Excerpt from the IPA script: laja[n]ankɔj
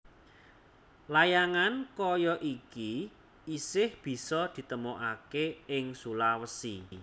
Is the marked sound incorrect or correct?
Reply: incorrect